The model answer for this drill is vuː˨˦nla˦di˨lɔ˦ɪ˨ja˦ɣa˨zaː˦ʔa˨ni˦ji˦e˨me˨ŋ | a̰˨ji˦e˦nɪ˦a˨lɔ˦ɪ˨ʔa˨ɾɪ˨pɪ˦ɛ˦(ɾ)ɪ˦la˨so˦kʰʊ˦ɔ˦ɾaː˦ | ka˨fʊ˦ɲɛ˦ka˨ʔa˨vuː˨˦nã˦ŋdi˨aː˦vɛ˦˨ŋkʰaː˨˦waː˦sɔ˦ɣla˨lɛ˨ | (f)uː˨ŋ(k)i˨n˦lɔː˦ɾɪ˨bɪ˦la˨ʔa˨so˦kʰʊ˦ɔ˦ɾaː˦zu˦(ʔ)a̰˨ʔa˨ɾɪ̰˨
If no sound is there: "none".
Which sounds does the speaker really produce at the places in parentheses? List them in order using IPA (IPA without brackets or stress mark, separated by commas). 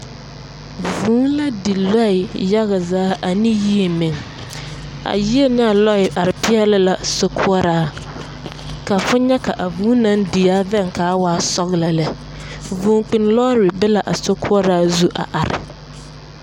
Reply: l, v, k͡p, ʔ